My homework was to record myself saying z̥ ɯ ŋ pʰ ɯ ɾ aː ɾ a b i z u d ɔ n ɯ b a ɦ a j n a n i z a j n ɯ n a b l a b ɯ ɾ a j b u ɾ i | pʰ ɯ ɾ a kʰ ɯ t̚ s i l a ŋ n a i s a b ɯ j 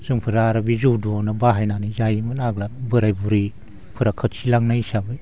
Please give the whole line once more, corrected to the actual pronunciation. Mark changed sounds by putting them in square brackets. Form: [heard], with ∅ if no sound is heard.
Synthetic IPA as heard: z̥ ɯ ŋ pʰ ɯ ɾ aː ɾ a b i z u d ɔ n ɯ b a ɦ a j n a n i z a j [m] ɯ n a [ɡ] l a b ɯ ɾ a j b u ɾ i | pʰ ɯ ɾ a kʰ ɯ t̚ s i l a ŋ n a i s a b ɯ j